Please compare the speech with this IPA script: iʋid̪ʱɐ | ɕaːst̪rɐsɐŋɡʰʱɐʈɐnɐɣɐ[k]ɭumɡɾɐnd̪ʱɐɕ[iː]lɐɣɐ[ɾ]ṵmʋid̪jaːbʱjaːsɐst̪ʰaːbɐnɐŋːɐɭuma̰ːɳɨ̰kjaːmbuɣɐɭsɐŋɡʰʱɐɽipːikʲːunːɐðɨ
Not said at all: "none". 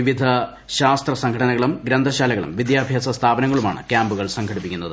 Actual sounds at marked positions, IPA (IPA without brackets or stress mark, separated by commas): none, aː, ɭ